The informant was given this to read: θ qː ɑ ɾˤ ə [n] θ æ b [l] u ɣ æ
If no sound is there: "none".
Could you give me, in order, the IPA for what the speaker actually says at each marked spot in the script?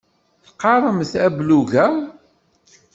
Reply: m, l

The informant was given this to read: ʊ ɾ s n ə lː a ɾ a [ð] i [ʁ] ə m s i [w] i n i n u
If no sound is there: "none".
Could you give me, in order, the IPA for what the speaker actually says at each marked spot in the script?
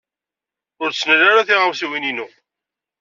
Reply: θ, ʁ, w

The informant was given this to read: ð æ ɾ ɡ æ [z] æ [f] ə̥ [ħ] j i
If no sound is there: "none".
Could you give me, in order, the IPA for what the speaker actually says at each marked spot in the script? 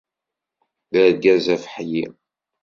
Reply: z, f, ħ

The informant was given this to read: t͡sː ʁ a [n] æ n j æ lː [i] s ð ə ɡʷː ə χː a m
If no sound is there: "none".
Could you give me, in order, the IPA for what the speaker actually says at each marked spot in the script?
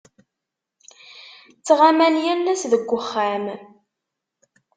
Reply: m, æ

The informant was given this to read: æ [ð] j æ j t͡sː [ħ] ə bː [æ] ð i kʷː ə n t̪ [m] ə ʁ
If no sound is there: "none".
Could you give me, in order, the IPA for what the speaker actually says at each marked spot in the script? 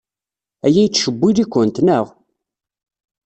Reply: none, ʃ, i, n

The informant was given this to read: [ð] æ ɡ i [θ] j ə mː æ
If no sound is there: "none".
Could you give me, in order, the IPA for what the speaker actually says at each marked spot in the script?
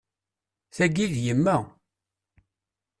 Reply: θ, ð

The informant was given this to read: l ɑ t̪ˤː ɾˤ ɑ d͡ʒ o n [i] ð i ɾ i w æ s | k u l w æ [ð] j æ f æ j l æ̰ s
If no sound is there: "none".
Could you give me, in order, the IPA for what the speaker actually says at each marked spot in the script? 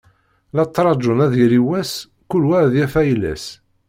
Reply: æ, ð

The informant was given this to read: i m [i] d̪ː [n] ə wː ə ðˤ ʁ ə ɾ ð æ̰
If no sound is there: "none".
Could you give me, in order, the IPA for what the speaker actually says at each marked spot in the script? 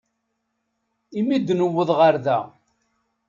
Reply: i, n

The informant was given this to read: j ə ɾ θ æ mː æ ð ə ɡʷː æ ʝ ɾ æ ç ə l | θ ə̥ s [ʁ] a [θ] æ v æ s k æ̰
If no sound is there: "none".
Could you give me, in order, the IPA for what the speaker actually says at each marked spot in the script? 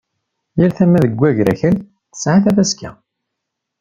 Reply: ʕ, θ

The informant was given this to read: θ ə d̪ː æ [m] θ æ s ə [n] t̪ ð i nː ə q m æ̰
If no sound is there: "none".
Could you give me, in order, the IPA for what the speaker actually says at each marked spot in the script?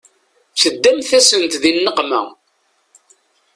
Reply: m, n

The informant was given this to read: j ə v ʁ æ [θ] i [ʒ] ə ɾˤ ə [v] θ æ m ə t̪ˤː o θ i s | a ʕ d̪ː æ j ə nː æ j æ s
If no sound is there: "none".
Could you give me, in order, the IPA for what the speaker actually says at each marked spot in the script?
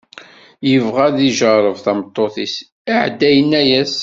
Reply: ð, ʒ, v

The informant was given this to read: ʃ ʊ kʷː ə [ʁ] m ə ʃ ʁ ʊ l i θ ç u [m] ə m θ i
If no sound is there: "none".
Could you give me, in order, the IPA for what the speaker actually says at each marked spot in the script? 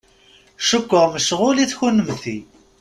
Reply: ʁ, n

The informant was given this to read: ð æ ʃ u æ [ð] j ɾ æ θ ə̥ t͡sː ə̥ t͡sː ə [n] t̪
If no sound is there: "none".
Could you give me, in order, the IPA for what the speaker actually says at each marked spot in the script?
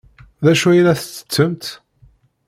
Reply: none, m

